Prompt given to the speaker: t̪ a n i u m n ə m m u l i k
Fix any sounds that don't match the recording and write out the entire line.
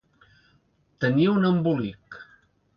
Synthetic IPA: t̪ ə n i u n ə m b u l i k